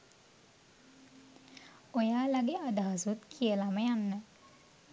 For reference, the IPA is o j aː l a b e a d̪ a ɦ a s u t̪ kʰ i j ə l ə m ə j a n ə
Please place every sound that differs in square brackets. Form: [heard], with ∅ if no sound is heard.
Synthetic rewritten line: o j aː l a [ɡ] e a d̪ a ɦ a s u t̪ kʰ i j ə l [a] m ə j a [nː] ə